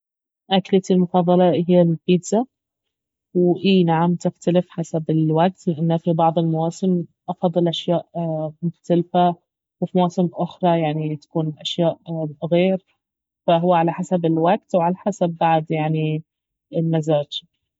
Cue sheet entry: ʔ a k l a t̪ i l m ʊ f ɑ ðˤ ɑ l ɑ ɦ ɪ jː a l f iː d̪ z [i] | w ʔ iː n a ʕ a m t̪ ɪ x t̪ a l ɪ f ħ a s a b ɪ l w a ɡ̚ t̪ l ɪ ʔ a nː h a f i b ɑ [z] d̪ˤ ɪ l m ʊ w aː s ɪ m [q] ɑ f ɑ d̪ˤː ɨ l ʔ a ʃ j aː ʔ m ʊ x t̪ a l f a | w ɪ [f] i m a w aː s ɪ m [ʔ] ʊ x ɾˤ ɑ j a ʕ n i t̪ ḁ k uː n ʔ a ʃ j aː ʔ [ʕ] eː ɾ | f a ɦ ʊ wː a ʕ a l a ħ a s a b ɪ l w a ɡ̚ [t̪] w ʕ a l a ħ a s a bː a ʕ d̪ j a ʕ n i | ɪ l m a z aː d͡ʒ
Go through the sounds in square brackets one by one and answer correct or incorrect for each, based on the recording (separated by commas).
incorrect, incorrect, incorrect, correct, correct, incorrect, correct